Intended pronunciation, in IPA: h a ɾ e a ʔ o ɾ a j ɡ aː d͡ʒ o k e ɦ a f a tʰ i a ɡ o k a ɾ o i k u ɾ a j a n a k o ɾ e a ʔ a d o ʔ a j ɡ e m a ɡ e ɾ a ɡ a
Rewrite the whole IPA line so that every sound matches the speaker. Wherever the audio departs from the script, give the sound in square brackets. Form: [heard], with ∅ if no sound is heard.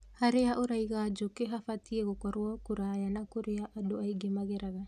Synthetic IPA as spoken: h a ɾ e a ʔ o ɾ a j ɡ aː d͡ʒ o k e ɦ a f a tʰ i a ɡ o k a ɾ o [a] k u ɾ a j a n a k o ɾ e a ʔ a d o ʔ a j ɡ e m a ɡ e ɾ a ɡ a